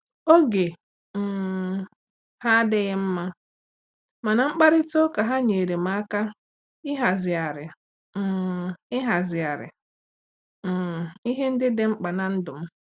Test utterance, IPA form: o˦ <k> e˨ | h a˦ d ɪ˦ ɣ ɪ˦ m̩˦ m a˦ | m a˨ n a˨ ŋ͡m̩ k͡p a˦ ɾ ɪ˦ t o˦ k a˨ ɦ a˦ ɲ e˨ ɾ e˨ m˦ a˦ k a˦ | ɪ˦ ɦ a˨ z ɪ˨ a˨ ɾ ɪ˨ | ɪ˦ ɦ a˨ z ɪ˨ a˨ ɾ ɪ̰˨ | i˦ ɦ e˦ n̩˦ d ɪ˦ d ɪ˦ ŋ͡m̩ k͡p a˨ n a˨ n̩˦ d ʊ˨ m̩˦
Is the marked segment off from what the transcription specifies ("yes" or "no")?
yes